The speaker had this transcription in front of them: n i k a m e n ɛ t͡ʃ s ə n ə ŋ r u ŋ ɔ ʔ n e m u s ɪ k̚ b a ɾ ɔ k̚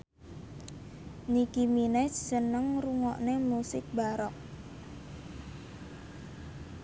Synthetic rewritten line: n i k i m i n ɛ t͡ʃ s ə n ə ŋ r u ŋ ɔ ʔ n e m u s ɪ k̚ b a ɾ ɔ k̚